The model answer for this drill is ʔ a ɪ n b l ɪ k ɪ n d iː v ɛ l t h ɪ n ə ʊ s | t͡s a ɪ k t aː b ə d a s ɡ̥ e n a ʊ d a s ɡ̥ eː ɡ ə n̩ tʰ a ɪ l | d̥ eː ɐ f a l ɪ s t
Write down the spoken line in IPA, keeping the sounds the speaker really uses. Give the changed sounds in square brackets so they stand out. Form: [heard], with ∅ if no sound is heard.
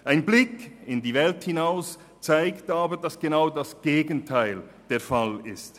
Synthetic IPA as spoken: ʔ a ɪ n b l ɪ k ɪ n d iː v ɛ l t h ɪ n [a] ʊ s | t͡s a ɪ k t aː b ə d a s ɡ̥ e n a ʊ d a s ɡ̥ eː ɡ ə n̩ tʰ a ɪ l | d̥ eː ɐ f a l ɪ s t